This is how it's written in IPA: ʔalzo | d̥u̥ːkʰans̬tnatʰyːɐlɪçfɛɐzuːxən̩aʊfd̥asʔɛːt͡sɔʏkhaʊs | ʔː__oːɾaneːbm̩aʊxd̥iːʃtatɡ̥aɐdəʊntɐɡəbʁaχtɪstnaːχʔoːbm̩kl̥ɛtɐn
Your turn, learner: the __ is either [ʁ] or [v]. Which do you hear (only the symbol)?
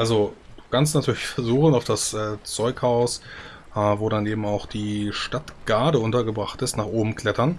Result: v